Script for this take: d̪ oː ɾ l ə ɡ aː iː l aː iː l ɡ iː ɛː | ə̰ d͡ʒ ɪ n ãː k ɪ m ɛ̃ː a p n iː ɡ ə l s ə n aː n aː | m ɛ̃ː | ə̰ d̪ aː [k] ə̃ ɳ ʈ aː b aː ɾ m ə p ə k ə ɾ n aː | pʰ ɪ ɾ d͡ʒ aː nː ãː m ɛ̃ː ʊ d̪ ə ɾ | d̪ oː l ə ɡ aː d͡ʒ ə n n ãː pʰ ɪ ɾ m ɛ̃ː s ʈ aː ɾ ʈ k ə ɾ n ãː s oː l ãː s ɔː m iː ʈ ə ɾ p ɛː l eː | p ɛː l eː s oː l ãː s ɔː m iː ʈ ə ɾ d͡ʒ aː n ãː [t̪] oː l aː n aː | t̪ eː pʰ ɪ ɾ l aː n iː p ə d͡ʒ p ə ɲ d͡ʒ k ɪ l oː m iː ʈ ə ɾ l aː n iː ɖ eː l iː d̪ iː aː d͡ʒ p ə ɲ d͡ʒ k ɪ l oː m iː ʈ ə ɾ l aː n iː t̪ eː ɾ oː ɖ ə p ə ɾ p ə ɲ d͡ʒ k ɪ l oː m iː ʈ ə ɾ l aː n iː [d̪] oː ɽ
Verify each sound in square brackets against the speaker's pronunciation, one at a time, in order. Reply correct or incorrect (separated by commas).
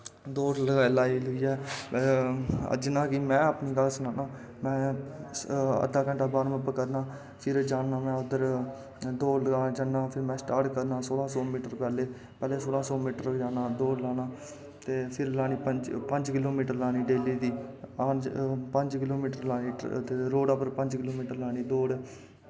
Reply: correct, incorrect, correct